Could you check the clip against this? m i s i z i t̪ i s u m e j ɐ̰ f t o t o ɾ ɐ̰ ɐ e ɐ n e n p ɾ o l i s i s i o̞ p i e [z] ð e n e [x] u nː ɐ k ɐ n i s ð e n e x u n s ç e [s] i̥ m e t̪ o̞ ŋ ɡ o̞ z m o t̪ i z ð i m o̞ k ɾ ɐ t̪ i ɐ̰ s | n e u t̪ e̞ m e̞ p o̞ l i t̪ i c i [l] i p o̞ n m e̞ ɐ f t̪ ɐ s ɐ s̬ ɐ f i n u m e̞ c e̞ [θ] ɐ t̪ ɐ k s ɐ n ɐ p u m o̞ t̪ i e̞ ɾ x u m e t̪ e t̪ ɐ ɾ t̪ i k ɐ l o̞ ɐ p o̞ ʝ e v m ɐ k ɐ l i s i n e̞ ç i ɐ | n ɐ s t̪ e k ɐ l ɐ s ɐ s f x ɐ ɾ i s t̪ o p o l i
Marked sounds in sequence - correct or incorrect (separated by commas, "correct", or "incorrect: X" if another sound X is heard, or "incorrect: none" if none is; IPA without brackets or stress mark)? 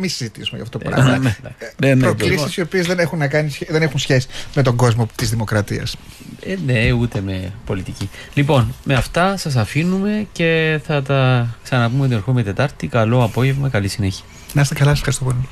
correct, correct, correct, correct, correct